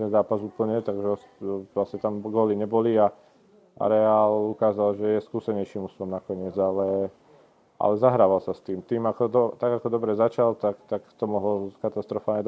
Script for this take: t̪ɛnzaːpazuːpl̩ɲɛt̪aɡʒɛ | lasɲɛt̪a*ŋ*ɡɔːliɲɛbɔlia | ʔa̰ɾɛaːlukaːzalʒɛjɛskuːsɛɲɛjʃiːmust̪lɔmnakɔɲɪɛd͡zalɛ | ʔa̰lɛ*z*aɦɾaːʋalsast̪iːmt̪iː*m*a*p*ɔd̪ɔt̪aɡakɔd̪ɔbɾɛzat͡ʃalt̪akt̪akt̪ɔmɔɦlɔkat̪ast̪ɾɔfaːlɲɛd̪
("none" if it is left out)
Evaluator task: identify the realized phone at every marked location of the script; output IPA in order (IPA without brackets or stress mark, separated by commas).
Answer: m, z, m, k